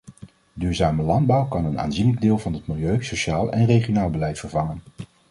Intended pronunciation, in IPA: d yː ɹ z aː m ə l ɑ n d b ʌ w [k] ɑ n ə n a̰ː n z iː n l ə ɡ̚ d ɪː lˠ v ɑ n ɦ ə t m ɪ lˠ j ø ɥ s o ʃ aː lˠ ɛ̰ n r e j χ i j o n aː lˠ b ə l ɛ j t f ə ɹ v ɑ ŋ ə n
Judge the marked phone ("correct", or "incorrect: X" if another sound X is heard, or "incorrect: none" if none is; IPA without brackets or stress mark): correct